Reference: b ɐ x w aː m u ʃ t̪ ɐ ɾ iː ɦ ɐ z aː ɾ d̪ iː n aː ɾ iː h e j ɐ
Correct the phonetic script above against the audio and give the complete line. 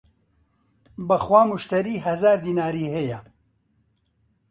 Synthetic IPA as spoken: b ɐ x w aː m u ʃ t̪ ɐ ɾ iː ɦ ɐ z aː ɾ d̪ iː n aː ɾ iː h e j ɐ